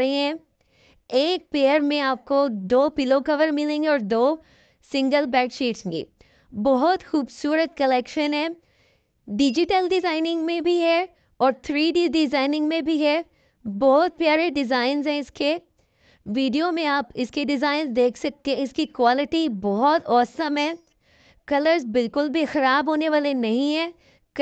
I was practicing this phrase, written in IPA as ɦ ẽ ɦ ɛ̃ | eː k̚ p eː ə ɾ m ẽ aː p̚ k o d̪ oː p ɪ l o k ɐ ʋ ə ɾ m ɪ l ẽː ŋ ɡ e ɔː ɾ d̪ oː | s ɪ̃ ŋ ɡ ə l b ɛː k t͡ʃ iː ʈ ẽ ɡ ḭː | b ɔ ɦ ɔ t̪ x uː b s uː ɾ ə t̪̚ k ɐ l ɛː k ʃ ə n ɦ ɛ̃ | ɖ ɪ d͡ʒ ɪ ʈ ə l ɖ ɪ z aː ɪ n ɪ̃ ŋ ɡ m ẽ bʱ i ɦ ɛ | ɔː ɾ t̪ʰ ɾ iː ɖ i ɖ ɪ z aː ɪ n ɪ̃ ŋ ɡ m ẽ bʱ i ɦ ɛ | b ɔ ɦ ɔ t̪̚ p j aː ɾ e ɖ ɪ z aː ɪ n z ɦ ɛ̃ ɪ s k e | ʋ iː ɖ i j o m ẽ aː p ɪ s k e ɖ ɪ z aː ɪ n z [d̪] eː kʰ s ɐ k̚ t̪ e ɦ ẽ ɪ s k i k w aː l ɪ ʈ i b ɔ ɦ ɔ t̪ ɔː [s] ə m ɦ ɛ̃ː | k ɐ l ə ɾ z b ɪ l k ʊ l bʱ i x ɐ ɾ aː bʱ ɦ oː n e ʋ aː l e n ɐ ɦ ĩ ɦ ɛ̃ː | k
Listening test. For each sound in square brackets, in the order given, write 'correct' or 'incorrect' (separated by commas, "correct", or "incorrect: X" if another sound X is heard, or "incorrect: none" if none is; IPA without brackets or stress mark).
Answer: correct, correct